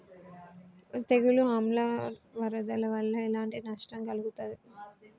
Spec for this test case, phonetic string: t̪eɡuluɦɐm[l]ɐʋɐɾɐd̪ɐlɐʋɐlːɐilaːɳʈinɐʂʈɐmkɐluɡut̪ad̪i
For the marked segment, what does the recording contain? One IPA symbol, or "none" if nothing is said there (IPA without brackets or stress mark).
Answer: l